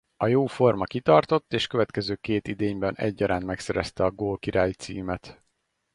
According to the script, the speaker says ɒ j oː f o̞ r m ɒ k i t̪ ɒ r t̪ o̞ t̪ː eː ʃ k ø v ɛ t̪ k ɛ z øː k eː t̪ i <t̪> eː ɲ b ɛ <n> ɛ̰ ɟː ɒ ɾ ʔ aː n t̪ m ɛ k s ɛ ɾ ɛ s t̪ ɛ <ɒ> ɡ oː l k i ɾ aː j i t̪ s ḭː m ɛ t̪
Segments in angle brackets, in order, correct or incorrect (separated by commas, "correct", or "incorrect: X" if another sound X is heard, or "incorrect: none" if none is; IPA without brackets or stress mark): incorrect: d̪, correct, correct